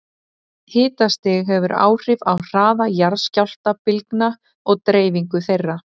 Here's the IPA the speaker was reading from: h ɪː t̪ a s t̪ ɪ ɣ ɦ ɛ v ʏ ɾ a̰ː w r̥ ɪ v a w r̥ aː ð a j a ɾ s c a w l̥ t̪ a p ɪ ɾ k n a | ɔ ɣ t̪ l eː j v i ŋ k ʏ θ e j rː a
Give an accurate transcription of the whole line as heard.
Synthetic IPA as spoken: h ɪː t̪ a s t̪ ɪ ɣ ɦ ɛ v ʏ ɾ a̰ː w r̥ ɪ v a w r̥ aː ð a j a ɾ s c a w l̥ t̪ a p ɪ l k n a | ɔ ɣ t̪ ɾ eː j v i ŋ k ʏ θ e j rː a

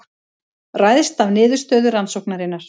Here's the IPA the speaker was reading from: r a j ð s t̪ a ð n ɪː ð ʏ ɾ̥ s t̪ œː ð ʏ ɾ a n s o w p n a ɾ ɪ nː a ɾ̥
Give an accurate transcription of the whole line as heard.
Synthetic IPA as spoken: r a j ð s t̪ a v n ɪː ð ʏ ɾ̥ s t̪ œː ð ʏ ɾ a n s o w k n a ɾ ɪ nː a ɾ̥

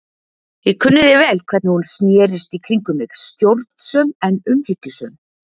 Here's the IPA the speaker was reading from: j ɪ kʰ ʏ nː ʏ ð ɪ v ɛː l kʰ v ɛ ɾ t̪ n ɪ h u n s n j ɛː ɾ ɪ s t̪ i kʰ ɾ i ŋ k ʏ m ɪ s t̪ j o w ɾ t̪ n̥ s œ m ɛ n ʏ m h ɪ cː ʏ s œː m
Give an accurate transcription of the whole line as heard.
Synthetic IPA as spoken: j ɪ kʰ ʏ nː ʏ ð ɪ v ɛː l kʰ v ɛ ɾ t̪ n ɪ h u n s n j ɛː ɾ ɪ s t̪ i kʰ ɾ i ŋ k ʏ m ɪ s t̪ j o w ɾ t̪ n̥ s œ m ɛ n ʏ m h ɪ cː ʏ s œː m

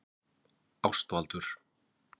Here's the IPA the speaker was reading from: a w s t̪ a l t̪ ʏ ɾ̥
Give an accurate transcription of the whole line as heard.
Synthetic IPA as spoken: a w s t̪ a l t̪ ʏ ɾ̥

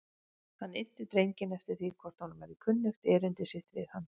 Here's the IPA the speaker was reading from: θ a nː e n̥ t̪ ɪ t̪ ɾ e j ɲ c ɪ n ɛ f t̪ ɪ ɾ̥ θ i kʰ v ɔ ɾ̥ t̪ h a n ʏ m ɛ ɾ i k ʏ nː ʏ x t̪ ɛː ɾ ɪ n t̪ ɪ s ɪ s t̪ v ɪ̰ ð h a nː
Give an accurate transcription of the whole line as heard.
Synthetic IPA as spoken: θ a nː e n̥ t̪ ɪ t̪ ɾ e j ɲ c ɪ n ɛ f t̪ ɪ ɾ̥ θ i kʰ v ɔ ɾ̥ t̪ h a n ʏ m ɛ ɾ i kʰ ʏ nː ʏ x t̪ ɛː ɾ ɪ n t̪ ɪ s ɪ h t̪ v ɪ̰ ð h a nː

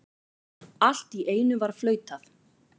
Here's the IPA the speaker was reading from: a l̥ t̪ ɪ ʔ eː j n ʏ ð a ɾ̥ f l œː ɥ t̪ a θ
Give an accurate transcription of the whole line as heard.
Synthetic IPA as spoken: a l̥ t̪ i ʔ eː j n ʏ v a ɾ̥ f l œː ɥ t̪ a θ

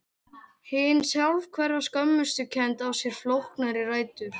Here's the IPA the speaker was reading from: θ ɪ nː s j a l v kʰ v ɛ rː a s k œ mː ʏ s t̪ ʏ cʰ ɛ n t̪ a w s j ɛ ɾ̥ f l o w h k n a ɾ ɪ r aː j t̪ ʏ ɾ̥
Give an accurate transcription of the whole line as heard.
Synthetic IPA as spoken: h ɪ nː s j a l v kʰ v ɛ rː a s k œ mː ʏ s t̪ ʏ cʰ ɛ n t̪ a w s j ɛ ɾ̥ f l o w h k n a ɾ ɪ r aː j t̪ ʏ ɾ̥

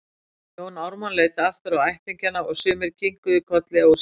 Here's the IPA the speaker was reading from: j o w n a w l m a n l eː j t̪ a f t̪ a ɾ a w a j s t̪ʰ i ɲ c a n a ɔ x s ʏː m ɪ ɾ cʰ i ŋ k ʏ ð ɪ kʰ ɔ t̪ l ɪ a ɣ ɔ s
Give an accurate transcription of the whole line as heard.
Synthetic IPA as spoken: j o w n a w ɾ m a n l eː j t̪ a f t̪ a ɾ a w a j h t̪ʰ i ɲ c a n a ɔ ɣ s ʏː m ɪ ɾ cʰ i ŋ k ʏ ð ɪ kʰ ɔ t̪ l ɪ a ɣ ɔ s

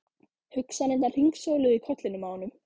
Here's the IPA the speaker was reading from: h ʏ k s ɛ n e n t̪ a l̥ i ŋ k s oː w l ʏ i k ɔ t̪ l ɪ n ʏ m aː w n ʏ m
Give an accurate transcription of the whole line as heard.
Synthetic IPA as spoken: h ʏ k s a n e n t̪ a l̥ i ŋ k s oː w l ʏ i kʰ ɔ t̪ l ɪ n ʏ m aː w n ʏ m

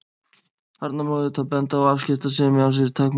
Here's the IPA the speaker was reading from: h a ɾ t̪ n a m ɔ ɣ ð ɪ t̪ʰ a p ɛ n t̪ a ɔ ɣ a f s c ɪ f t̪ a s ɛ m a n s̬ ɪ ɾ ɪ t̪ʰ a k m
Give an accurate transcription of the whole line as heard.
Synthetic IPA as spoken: h a ɾ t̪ n a m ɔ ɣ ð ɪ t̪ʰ a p ɛ n t̪ a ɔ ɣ a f s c ɪ f t̪ a s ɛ m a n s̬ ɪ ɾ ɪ t̪ʰ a k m

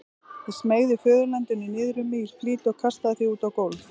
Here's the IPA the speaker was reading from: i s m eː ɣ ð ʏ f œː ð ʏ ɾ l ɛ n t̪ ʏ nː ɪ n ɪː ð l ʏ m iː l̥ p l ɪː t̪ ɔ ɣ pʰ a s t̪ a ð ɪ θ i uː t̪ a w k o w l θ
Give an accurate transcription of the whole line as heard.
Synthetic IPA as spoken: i s m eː ɣ ð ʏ f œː ð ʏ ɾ l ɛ n t̪ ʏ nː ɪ n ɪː ð ɾ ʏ m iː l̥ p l iː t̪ ɔ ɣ kʰ a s t̪ a ð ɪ θ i uː t̪ a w k o w l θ

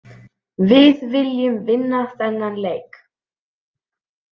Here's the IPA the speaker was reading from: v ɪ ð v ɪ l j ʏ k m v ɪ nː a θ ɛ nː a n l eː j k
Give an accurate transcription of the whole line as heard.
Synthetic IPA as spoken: v ɪ ð v ɪ l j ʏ m v ɪ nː a θ ɛ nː a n l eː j k

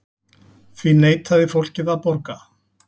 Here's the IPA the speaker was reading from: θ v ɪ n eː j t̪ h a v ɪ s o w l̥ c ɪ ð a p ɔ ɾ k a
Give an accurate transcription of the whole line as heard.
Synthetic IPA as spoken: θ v i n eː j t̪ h a ð ɪ f o w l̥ c ɪ ð a p ɔ ɾ k a

